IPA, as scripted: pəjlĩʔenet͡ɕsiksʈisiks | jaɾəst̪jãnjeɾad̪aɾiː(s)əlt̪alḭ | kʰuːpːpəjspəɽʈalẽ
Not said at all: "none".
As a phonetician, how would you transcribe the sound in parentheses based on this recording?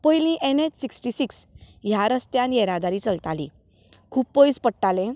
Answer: t͡s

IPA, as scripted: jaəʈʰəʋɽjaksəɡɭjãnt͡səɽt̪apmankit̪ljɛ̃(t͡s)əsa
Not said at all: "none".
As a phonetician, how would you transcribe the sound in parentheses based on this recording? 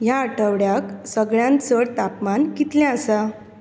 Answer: none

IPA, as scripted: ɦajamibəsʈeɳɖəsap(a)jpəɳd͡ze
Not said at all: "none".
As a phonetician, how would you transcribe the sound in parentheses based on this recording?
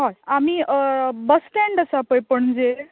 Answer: ə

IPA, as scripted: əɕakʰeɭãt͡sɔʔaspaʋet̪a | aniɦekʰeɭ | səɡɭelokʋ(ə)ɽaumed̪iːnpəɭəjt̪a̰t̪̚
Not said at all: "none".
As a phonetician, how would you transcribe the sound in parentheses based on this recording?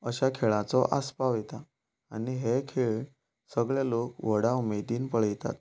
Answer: ə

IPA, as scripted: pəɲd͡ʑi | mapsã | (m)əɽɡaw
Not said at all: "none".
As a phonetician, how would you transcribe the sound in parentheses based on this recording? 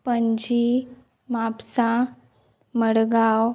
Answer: m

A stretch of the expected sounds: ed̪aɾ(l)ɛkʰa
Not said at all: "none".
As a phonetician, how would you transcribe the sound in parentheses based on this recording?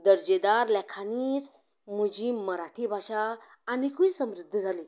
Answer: l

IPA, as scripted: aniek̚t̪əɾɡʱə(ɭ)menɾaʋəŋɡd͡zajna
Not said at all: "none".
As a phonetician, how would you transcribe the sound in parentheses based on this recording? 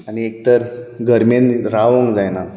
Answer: ɾ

